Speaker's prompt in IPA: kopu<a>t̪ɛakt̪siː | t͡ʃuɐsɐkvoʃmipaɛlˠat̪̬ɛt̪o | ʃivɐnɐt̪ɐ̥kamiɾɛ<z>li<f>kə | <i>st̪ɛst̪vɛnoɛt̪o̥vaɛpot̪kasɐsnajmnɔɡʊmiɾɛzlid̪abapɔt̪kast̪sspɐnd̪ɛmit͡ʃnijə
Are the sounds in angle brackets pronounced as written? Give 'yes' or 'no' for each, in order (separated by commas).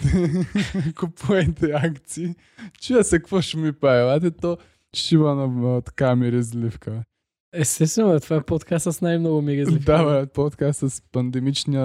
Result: no, yes, yes, no